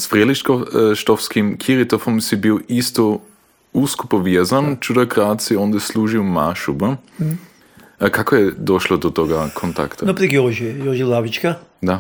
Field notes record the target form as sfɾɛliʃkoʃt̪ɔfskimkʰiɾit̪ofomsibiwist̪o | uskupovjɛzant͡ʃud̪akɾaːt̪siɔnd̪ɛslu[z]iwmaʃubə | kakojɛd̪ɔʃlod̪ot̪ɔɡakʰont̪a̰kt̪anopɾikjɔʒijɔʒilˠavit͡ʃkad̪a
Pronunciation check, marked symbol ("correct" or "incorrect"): incorrect